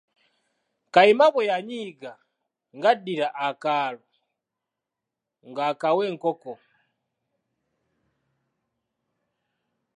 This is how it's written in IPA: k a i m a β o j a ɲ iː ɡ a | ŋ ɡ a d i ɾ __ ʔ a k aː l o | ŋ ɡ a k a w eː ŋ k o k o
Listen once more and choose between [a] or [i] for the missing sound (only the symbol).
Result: a